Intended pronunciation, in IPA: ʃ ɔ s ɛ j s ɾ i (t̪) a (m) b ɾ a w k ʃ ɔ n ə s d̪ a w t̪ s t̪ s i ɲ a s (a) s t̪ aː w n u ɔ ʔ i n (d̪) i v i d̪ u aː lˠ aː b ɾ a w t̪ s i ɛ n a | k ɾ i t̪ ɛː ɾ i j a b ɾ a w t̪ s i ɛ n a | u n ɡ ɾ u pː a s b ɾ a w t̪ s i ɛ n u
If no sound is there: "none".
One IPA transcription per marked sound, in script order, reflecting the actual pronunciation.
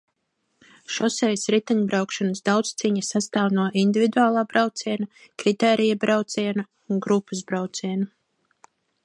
t̪, ɲ, a, d̪

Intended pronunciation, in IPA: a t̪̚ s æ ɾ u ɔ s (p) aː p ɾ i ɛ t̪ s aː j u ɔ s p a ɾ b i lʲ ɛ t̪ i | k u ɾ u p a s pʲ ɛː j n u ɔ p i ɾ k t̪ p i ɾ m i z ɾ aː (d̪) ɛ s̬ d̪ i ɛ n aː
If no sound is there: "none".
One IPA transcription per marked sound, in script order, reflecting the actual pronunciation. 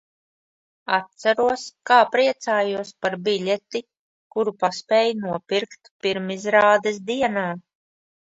k, d̪

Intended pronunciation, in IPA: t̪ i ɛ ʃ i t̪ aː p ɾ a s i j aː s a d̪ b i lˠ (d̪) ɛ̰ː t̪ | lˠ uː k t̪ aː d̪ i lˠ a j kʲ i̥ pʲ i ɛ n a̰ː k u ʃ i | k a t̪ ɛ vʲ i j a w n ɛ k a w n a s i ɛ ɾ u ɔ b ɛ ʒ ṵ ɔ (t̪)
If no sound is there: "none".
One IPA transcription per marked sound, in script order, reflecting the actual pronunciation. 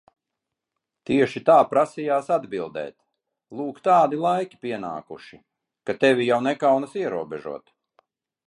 d̪, t̪

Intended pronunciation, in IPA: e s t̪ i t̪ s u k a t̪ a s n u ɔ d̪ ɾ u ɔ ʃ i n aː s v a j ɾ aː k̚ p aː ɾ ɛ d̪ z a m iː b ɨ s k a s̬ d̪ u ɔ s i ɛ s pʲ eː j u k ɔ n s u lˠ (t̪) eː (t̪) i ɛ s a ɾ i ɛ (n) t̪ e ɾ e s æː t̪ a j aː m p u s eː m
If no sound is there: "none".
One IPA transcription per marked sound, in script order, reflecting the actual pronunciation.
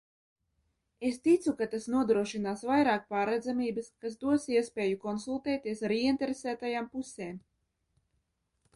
t̪, t̪, n

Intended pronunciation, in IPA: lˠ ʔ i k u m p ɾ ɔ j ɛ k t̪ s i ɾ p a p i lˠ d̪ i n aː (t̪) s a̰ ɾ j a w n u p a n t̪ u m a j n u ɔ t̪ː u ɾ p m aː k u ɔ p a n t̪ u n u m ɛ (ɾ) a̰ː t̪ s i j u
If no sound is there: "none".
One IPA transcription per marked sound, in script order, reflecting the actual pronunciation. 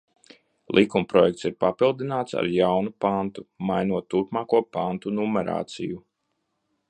t̪, ɾ

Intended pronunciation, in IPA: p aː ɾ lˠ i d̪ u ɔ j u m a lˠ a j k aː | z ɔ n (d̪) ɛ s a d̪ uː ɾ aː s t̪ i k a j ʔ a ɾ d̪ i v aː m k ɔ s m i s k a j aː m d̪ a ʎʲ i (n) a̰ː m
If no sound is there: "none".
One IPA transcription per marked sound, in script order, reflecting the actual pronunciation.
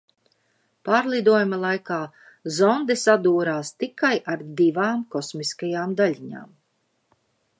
d̪, ɲ

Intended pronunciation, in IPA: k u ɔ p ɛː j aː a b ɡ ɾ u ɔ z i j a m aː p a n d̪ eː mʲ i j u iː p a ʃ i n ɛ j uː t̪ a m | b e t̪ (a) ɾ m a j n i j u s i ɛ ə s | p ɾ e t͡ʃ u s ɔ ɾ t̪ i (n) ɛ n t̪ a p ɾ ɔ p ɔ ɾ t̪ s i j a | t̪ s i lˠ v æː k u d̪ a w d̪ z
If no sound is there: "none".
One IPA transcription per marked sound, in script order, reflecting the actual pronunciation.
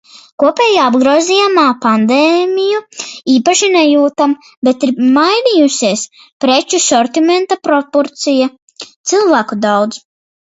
i, m

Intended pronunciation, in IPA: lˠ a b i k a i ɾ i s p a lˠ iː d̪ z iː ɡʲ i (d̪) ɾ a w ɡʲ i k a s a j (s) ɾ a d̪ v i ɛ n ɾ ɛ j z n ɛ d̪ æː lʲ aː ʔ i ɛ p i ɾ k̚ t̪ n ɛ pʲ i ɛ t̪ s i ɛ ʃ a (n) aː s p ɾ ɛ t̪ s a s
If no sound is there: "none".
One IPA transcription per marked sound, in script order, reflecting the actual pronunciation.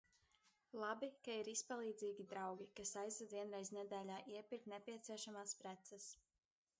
d̪, z, m

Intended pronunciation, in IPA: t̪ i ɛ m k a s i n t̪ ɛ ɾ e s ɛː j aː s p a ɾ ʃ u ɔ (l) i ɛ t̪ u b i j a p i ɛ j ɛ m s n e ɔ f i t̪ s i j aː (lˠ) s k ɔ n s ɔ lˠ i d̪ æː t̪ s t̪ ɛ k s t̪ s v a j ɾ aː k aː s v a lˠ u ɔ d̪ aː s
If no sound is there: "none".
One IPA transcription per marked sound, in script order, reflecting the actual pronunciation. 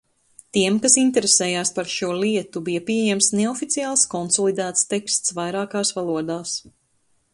l, lˠ

